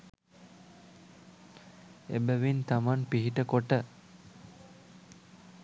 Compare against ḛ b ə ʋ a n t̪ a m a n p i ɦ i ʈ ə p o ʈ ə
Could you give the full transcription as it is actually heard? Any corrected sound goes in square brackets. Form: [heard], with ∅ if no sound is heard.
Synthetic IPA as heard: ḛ b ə ʋ [i] n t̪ a m a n p i ɦ i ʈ ə [k] o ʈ ə